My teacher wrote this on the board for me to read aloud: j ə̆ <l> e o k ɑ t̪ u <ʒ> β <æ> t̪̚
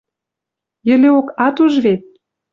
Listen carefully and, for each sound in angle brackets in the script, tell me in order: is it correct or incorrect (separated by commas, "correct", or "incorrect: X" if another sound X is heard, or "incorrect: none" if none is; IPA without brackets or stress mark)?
correct, correct, incorrect: e